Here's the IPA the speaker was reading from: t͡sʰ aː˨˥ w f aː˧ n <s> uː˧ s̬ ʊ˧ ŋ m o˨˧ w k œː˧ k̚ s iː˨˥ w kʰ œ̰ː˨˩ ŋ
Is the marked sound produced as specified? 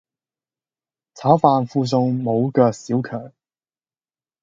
no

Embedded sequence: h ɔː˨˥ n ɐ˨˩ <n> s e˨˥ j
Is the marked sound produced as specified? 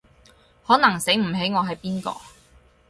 no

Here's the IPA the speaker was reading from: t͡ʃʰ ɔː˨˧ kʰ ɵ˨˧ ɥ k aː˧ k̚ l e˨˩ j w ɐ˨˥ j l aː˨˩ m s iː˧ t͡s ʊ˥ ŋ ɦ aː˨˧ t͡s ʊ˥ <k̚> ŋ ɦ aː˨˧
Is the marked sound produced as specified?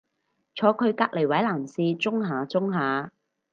no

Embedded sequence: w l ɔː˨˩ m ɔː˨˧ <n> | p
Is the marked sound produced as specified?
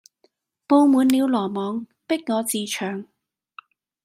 no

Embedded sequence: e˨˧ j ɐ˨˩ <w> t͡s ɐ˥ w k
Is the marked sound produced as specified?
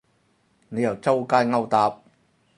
yes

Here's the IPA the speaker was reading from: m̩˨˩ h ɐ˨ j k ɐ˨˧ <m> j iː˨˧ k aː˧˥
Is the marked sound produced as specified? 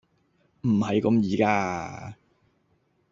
yes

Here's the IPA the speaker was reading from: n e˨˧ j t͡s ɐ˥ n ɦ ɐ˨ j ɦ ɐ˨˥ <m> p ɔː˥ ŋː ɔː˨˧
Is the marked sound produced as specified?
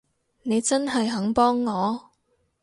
no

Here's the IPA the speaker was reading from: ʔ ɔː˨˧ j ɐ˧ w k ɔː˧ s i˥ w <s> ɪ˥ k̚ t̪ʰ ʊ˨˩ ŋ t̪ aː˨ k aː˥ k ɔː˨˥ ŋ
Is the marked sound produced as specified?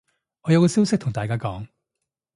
yes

